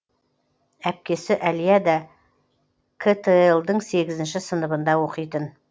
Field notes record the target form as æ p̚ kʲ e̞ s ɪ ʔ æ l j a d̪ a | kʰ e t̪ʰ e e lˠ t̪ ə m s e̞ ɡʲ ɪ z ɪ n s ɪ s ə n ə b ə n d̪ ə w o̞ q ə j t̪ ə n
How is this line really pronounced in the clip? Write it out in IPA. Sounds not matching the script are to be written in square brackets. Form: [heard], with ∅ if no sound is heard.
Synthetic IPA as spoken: æ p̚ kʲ e̞ s ɪ ʔ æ l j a d̪ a | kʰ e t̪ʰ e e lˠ [d̪] ə [ɴ] s e̞ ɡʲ ɪ z ɪ n [ʃ] ɪ s ə n ə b ə n d̪ [ɑ] w o̞ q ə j t̪ ə n